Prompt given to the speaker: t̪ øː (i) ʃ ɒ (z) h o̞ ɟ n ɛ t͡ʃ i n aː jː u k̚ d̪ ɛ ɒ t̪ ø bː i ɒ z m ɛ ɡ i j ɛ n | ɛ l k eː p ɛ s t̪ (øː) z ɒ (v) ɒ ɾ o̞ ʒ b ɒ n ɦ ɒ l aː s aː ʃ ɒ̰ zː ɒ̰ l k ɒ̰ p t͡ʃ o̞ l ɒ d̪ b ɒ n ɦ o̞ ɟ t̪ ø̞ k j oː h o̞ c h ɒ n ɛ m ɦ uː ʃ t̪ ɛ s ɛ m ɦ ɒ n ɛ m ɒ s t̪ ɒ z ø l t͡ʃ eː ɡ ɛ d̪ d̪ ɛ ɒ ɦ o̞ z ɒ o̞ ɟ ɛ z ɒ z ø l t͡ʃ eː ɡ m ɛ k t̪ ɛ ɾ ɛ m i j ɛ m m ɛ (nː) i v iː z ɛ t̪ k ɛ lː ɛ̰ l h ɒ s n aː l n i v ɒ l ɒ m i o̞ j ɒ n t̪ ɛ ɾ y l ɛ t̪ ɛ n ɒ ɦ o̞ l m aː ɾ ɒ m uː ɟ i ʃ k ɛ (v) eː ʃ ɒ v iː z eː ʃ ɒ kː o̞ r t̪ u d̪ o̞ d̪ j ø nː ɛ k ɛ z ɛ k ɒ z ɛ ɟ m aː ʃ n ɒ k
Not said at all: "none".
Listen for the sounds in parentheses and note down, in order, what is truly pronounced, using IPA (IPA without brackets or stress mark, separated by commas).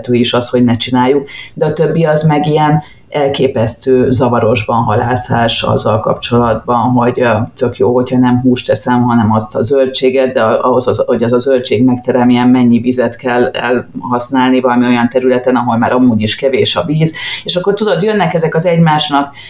i, s, øː, v, ɲː, v